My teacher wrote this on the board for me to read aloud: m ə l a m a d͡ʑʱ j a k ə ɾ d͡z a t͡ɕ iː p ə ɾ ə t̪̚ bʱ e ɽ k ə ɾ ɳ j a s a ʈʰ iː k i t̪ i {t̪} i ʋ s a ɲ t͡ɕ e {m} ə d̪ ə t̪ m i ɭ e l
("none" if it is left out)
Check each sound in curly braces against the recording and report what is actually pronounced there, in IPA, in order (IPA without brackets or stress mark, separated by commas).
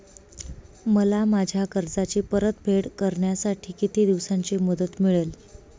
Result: d̪, m